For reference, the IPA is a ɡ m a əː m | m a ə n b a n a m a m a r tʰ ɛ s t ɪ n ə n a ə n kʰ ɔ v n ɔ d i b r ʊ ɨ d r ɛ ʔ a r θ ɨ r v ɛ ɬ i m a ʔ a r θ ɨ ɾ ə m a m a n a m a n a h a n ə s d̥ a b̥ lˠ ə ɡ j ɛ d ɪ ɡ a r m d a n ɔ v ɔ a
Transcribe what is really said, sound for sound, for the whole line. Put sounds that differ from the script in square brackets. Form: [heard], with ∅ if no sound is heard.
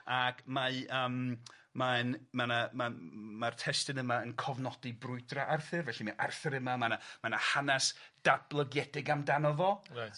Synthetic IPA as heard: a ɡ m a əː m | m a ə n [m] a n a m a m a r tʰ ɛ s t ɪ n ə [m] a ə n kʰ ɔ v n ɔ d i b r ʊ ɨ d r [a] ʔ a r θ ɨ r v ɛ ɬ i m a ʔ a r θ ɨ ɾ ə m a m a n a m a n a h a n [a] s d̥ a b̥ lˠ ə ɡ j ɛ d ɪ ɡ a [∅] m d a n ɔ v ɔ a